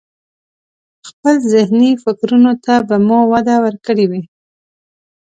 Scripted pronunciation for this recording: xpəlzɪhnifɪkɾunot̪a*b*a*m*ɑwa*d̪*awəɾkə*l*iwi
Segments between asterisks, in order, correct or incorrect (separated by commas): correct, correct, correct, incorrect